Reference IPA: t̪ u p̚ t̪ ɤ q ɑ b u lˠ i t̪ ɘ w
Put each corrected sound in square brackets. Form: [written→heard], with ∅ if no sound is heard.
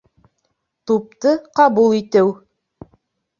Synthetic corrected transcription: t̪ u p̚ t̪ ɤ q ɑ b u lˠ i t̪ ɘ w